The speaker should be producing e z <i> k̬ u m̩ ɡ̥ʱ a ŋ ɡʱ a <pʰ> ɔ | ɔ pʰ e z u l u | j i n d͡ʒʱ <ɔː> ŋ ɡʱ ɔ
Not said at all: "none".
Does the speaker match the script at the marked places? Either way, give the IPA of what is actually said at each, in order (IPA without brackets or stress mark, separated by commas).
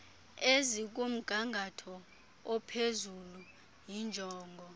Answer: i, tʰ, ɔː